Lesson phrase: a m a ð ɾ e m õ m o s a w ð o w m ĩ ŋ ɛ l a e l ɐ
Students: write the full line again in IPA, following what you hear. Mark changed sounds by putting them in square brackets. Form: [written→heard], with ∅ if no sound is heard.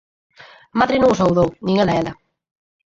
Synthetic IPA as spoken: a m a ð ɾ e [m→n] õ [m→ŋ] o s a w ð o w [m→n] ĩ ŋ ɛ l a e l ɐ